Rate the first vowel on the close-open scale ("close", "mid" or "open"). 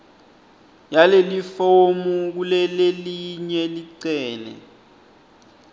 open